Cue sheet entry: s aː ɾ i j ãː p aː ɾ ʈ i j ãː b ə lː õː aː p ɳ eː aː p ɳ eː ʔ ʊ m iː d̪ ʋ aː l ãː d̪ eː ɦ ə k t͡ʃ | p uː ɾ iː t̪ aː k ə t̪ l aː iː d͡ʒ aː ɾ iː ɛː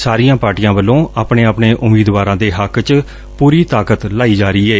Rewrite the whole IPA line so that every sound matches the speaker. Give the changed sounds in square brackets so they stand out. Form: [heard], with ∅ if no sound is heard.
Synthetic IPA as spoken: s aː ɾ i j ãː p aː ɾ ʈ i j ãː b ə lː õː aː p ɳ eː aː p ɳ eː ʔ ʊ m iː d̪ ʋ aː [ɾ] ãː d̪ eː ɦ ə k t͡ʃ | p uː ɾ iː t̪ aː k ə t̪ l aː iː d͡ʒ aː ɾ iː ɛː